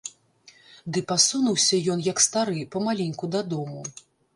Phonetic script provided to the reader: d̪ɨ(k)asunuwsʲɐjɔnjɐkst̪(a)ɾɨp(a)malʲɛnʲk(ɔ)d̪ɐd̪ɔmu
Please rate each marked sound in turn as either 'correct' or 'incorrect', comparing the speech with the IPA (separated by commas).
incorrect, correct, incorrect, incorrect